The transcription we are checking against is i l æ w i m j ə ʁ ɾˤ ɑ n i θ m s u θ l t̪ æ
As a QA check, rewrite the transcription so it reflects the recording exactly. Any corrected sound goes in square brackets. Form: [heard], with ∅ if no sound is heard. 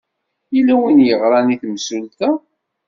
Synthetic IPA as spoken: i l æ w i [n] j ə ʁ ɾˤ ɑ n i θ m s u [∅] l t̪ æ